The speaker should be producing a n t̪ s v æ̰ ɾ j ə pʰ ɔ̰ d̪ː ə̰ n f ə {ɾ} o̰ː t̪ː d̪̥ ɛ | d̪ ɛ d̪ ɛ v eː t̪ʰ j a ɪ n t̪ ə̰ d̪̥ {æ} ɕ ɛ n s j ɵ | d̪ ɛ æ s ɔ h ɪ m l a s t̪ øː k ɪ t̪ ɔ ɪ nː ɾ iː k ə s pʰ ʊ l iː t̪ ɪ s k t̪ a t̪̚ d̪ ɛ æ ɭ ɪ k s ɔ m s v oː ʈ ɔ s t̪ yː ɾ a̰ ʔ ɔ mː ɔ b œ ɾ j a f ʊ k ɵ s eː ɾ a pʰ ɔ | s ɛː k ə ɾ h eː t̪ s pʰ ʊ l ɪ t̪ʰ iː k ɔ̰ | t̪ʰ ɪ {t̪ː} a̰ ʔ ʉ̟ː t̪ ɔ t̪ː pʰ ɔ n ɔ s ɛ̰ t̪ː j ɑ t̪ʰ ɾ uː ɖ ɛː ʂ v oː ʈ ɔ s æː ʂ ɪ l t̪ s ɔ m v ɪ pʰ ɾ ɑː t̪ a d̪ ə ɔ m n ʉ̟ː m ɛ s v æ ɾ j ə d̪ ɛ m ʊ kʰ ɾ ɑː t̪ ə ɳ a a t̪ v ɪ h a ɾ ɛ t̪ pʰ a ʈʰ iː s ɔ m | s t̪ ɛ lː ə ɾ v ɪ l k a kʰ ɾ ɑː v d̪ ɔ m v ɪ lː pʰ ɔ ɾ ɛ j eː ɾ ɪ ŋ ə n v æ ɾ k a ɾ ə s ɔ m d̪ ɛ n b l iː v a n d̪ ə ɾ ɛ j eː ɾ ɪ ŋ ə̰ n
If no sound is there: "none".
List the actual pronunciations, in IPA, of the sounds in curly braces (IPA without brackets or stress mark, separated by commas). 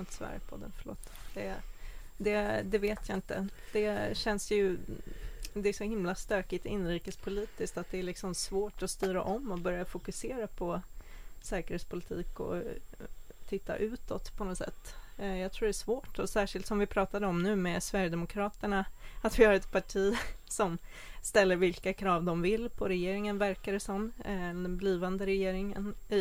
ɭ, ɛ, t̪ː